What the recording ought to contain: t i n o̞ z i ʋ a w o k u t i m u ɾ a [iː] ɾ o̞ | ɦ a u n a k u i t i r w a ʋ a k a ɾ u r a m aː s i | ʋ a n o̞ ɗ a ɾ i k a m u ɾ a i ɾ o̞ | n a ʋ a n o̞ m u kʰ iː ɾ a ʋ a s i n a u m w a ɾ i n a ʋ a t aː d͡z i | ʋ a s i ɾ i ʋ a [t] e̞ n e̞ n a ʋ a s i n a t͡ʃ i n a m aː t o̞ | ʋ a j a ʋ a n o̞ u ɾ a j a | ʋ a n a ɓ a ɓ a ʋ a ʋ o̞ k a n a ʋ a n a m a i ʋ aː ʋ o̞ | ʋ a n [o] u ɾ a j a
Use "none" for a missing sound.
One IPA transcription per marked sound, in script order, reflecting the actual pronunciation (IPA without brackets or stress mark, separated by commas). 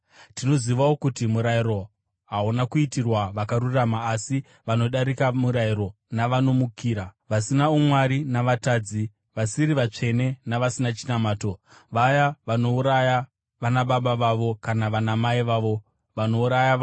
i, t͡ʂ, o